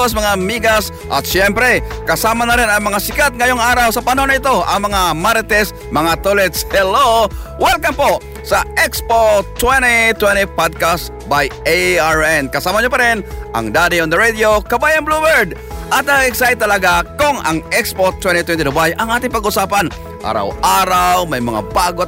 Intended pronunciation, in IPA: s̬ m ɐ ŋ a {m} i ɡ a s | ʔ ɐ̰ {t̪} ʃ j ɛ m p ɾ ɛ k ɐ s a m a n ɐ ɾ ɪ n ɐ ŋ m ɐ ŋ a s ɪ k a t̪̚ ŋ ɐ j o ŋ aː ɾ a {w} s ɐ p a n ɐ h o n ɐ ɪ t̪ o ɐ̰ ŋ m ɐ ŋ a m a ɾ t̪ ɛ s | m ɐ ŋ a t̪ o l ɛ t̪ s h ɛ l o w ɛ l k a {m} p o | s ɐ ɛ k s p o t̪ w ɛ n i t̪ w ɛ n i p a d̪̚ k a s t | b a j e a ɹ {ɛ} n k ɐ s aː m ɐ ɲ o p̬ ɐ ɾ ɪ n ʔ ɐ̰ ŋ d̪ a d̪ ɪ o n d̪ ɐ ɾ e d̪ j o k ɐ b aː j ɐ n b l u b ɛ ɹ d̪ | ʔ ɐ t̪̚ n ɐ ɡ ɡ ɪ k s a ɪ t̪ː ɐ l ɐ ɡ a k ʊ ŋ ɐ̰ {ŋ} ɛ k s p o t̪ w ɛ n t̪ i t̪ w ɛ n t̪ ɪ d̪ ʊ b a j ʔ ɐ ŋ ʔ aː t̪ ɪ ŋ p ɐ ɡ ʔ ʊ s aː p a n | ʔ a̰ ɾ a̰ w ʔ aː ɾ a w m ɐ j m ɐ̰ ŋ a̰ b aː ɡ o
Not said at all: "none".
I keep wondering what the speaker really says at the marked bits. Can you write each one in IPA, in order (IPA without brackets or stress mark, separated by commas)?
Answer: m, t̪, w, m, ɛ, ŋ